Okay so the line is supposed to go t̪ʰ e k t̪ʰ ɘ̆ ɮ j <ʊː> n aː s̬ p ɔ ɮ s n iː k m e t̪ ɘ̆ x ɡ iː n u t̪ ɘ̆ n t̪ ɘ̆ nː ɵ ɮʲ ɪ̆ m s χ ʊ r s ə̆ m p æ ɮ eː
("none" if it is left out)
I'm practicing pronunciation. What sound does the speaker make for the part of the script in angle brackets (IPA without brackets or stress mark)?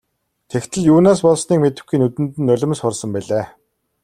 uː